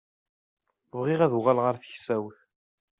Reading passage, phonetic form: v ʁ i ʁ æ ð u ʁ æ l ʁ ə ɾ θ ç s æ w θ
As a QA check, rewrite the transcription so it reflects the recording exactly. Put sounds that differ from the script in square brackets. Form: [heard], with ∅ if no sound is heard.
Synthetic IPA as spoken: v ʁ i ʁ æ ð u ʁ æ l ʁ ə ɾ θ ç s æ w θ